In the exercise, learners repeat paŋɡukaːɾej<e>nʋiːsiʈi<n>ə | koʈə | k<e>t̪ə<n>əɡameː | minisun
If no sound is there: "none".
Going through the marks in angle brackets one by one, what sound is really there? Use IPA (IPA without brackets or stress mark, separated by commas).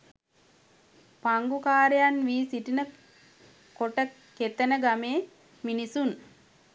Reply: a, n, e, n